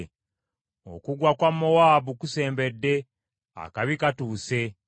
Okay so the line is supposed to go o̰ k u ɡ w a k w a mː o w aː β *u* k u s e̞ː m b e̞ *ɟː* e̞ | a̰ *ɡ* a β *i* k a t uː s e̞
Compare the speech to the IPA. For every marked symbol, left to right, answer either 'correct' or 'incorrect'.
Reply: correct, incorrect, incorrect, correct

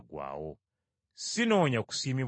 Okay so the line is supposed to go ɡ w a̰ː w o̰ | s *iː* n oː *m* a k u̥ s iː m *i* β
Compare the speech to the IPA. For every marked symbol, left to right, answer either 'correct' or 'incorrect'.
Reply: incorrect, incorrect, correct

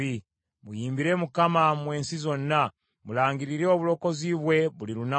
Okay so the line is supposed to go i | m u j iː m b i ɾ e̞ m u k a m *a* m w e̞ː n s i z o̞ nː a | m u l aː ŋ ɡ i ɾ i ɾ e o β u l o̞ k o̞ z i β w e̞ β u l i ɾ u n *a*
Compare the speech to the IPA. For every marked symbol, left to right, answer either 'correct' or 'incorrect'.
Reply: correct, correct

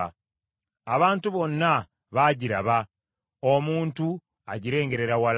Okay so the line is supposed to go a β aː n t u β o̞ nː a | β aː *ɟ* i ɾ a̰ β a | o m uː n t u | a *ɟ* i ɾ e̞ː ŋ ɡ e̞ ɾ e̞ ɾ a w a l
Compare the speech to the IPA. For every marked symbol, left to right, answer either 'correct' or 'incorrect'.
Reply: correct, correct

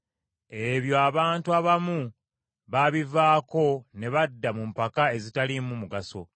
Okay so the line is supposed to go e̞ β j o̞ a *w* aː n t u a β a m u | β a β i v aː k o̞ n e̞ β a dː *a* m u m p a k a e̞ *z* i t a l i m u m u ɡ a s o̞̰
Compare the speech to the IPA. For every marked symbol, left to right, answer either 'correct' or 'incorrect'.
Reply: incorrect, correct, correct

